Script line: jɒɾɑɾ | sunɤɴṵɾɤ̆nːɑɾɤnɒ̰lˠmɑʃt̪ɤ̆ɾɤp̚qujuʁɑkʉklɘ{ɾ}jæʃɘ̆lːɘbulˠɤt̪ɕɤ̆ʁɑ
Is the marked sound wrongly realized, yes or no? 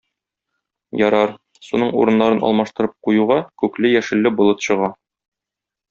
yes